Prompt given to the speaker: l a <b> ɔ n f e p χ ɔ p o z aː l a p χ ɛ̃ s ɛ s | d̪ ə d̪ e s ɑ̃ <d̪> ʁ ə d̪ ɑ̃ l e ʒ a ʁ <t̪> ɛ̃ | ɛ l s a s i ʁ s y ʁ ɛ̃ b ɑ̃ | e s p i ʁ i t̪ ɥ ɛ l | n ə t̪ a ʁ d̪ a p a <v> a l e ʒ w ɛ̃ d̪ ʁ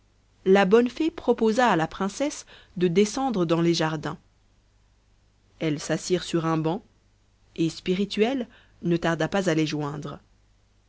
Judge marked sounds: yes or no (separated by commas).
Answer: yes, yes, no, no